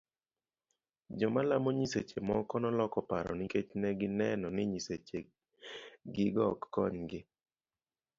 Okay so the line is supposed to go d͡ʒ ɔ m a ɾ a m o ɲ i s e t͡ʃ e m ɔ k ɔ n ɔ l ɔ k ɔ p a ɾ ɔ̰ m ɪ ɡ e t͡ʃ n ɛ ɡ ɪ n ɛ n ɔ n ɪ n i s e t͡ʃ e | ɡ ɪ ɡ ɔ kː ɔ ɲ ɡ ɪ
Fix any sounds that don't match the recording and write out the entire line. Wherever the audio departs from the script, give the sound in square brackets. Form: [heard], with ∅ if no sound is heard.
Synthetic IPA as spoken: d͡ʒ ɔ m a [l] a m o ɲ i s e t͡ʃ e m ɔ k ɔ n ɔ l ɔ k ɔ p a ɾ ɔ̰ [n] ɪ [k] e t͡ʃ n ɛ ɡ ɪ n ɛ n ɔ n ɪ [ɲ] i s e t͡ʃ e | ɡ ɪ ɡ ɔ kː ɔ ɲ ɡ ɪ